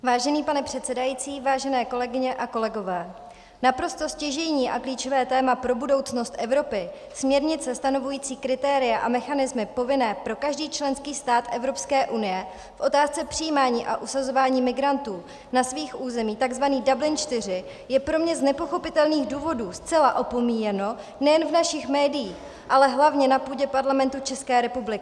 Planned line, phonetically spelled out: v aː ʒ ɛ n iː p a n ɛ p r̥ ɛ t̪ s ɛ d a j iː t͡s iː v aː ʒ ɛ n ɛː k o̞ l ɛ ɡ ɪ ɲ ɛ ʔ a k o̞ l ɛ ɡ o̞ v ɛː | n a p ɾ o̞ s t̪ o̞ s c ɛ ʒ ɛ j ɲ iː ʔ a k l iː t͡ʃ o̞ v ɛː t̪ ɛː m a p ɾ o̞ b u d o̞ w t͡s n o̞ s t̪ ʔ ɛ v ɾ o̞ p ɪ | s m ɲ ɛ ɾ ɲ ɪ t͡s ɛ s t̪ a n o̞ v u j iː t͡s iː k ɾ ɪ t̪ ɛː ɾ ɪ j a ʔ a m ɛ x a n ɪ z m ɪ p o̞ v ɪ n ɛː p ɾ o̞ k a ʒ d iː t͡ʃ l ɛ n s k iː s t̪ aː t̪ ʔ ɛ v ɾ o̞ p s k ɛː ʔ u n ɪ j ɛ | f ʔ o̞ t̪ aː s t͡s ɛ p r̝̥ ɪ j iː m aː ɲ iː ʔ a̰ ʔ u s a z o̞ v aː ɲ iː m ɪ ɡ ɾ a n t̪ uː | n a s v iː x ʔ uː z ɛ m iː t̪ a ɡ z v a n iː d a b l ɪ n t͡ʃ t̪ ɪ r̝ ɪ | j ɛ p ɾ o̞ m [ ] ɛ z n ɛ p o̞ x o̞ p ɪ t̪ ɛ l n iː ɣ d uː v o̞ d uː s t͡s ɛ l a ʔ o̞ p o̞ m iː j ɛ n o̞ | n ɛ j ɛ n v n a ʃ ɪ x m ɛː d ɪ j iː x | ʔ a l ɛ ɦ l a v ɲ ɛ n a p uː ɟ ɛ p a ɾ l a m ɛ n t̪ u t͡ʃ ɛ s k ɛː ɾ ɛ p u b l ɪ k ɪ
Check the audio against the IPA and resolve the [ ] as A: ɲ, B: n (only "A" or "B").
A